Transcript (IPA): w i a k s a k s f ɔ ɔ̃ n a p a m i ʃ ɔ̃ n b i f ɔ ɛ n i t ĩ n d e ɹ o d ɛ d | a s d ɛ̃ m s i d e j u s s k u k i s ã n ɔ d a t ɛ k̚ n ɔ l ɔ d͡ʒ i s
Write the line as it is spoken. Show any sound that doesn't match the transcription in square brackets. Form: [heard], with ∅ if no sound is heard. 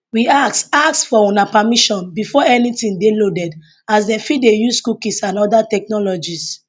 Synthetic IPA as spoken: w i a k s a k s f ɔ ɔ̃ n a p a m i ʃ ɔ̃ n b i f ɔ ɛ n i t ĩ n d e [l] o d ɛ d | a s d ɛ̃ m [f] i d e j u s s k u k i s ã n ɔ d a t ɛ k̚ n ɔ l ɔ d͡ʒ i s